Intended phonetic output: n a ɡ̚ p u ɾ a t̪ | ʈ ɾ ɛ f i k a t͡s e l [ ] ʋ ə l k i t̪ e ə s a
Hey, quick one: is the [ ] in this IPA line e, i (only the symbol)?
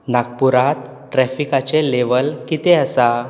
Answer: e